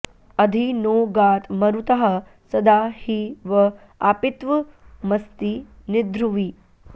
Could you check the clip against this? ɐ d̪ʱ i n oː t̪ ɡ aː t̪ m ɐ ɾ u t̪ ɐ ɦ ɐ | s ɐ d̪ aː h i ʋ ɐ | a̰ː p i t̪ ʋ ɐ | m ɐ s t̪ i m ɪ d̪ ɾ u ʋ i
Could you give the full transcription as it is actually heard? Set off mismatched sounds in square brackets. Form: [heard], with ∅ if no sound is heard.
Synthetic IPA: ɐ d̪ʱ i n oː [∅] ɡ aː t̪ m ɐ ɾ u t̪ ɐ ɦ ɐ | s ɐ d̪ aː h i ʋ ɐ | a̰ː p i t̪ ʋ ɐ | m ɐ s t̪ i [n] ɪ d̪ ɾ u ʋ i